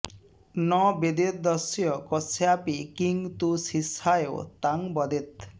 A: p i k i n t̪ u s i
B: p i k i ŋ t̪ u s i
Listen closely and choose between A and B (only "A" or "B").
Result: B